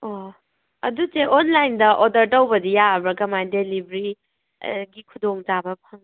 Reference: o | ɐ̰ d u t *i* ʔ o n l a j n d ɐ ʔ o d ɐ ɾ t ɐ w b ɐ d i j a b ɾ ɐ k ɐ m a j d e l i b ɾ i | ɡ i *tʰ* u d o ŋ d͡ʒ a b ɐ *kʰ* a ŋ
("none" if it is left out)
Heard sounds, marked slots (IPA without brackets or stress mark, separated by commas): e, kʰ, pʰ